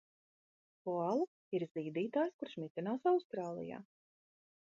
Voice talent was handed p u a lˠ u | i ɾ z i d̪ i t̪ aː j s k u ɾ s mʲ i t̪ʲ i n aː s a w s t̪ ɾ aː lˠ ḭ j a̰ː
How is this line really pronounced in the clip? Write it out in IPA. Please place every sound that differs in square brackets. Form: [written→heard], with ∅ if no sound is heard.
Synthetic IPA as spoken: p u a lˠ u | i ɾ z [i→iː] d̪ [i→iː] t̪ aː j s k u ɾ [s→ʃ] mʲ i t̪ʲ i n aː s a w s t̪ ɾ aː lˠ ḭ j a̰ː